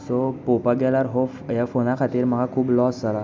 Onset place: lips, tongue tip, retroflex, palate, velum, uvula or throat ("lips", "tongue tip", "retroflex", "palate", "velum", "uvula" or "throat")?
tongue tip